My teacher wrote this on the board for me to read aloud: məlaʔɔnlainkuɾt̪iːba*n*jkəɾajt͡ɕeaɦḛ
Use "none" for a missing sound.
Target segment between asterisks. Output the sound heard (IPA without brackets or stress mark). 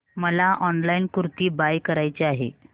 none